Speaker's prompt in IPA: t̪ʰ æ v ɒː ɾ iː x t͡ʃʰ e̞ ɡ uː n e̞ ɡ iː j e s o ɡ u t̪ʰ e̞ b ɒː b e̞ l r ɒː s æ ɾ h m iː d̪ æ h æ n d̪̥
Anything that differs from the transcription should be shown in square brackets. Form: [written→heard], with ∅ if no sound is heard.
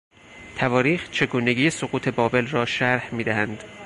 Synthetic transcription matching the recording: t̪ʰ æ v ɒː ɾ iː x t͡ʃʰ e̞ ɡ uː n e̞ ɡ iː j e s o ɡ [u→uː] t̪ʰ e̞ b ɒː b e̞ l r ɒː [s→ʃ] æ ɾ h m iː d̪ æ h æ n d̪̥

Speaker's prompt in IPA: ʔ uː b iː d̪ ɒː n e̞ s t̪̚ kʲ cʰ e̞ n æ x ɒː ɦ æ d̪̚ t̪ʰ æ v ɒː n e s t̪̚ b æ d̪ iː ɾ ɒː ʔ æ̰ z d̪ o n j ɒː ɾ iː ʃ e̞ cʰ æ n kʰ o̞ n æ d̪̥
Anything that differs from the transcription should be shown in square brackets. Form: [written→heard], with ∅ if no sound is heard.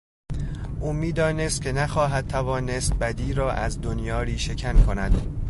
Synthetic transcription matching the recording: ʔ uː [b→m] iː d̪ ɒː n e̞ s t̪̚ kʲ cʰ e̞ n æ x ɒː ɦ æ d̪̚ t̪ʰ æ v ɒː n e s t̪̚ b æ d̪ iː ɾ ɒː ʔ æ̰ z d̪ o n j ɒː ɾ iː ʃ e̞ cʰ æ n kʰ o̞ n æ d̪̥

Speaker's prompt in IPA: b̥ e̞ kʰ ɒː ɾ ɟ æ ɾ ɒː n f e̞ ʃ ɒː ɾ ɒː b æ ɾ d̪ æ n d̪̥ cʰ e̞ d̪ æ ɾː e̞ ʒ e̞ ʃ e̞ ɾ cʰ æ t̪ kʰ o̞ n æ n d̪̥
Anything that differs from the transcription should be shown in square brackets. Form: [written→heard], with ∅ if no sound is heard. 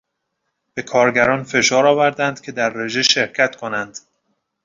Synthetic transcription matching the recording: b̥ e̞ kʰ ɒː ɾ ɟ æ ɾ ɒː n f e̞ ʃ ɒː ɾ ɒː [b→v] æ ɾ d̪ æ n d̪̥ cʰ e̞ d̪ æ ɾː e̞ ʒ e̞ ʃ e̞ ɾ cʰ æ t̪ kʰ o̞ n æ n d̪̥

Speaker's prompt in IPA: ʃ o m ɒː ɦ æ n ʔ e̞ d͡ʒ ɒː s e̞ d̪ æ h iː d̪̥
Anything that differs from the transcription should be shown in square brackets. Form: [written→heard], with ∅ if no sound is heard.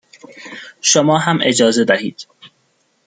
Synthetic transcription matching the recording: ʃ o m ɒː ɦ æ [n→m] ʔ e̞ d͡ʒ ɒː [s→z] e̞ d̪ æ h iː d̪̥

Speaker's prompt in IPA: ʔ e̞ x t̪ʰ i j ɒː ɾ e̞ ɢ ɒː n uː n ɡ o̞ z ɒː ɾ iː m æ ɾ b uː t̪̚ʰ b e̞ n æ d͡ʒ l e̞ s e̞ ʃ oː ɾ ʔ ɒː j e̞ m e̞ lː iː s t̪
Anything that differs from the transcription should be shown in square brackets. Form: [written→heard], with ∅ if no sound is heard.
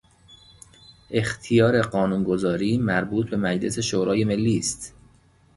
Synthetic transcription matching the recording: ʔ e̞ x t̪ʰ i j ɒː ɾ e̞ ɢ ɒː n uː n ɡ o̞ z ɒː ɾ iː m æ ɾ b uː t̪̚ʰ b e̞ [n→m] æ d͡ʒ l e̞ s e̞ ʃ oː ɾ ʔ ɒː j e̞ m e̞ lː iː s t̪

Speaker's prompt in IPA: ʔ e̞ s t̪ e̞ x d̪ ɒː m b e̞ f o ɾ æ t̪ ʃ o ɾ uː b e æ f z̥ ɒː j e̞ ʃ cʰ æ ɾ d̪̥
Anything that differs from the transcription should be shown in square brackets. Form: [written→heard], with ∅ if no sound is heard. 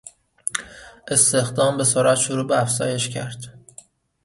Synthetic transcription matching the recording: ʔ e̞ s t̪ e̞ x d̪ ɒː m b e̞ [f→s] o ɾ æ t̪ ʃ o ɾ uː b e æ f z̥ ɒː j e̞ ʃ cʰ æ ɾ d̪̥

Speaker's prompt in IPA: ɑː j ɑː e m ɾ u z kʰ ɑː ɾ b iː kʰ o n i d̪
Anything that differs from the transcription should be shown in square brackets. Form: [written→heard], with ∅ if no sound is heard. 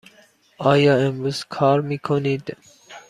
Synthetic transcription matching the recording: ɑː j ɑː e m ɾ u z kʰ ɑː ɾ [b→m] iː kʰ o n i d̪

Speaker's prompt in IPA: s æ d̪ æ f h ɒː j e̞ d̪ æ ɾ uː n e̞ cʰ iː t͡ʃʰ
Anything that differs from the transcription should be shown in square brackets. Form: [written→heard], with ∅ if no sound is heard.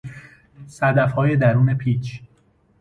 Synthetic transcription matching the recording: s æ d̪ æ f h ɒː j e̞ d̪ æ ɾ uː n e̞ [cʰ→pʰ] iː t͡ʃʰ

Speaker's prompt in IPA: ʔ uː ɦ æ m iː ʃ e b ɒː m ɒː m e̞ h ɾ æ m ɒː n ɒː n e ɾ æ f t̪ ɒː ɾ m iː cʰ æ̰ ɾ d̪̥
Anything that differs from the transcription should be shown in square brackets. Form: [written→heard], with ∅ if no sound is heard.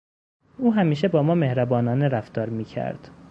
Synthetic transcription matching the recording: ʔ uː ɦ æ m iː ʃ e b ɒː m ɒː m e̞ h ɾ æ [m→b] ɒː n ɒː n e ɾ æ f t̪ ɒː ɾ m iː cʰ æ̰ ɾ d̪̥

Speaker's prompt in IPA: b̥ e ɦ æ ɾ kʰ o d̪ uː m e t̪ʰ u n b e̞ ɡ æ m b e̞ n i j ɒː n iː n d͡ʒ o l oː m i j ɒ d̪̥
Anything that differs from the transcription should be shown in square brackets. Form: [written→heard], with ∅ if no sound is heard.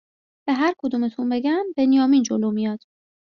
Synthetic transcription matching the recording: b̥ e ɦ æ ɾ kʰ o d̪ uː m e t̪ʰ u n b e̞ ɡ æ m b e̞ n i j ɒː [n→m] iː n d͡ʒ o l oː m i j ɒ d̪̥

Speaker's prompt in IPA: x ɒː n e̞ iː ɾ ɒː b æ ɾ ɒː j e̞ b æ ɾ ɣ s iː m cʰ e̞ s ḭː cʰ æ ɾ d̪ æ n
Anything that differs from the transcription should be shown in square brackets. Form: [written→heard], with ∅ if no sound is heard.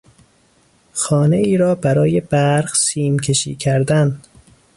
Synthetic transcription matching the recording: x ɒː n e̞ iː ɾ ɒː b æ ɾ ɒː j e̞ b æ ɾ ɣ s iː m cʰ e̞ [s→ʃ] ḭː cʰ æ ɾ d̪ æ n

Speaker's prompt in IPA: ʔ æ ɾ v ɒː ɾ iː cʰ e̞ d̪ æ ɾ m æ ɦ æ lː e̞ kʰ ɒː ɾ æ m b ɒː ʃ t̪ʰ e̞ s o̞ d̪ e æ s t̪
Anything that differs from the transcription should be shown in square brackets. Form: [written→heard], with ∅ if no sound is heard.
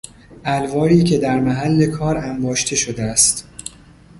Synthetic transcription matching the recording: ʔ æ [ɾ→l] v ɒː ɾ iː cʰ e̞ d̪ æ ɾ m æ ɦ æ lː e̞ kʰ ɒː ɾ æ m b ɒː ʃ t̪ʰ e̞ [s→ʃ] o̞ d̪ e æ s t̪

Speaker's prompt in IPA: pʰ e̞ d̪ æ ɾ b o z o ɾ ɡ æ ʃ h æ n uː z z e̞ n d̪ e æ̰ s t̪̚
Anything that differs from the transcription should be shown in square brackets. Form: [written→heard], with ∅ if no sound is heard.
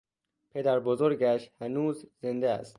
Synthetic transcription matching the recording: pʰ e̞ d̪ æ ɾ b o z o ɾ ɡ æ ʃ h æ n uː z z e̞ n d̪ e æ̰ s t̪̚

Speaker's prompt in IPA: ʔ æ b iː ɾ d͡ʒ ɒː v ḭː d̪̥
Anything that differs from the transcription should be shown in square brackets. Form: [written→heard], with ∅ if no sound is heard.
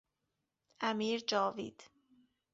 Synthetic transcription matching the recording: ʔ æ [b→m] iː ɾ d͡ʒ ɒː v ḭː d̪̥

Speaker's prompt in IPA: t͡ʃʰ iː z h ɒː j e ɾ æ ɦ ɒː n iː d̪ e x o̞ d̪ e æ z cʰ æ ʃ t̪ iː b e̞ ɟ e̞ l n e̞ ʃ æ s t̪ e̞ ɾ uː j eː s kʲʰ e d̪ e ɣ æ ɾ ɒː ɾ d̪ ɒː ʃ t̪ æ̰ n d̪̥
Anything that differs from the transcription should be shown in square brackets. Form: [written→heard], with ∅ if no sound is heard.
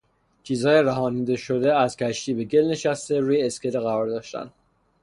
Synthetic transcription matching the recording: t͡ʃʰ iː z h ɒː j e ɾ æ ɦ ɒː n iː d̪ e [x→ʃ] o̞ d̪ e æ z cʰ æ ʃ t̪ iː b e̞ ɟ e̞ l n e̞ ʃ æ s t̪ e̞ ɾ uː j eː s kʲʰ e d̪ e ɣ æ ɾ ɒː ɾ d̪ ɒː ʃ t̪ æ̰ n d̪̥

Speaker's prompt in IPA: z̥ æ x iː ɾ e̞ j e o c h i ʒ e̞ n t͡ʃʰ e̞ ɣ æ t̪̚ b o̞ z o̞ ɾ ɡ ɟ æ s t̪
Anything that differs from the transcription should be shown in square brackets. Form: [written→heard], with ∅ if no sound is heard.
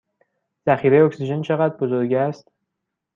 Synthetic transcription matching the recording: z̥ æ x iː ɾ e̞ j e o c [h→s] i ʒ e̞ n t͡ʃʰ e̞ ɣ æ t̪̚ b o̞ z o̞ ɾ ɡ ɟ æ s t̪

